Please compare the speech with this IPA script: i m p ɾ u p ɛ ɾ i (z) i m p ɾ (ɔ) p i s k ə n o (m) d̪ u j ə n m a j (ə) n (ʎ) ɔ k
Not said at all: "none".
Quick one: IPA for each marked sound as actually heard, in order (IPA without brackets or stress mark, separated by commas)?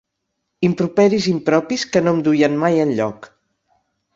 z, ɔ, m, ə, ʎ